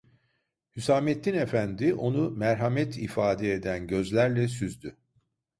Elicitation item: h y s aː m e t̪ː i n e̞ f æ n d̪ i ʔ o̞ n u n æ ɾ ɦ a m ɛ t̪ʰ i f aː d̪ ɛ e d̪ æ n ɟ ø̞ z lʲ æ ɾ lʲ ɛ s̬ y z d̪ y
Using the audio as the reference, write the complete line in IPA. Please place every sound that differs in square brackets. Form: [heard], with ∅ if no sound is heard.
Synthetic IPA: h y s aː m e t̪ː i n e̞ f æ n d̪ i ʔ o̞ n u [m] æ ɾ ɦ a m ɛ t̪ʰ i f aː d̪ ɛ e d̪ æ n ɟ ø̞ z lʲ æ ɾ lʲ ɛ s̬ y z d̪ y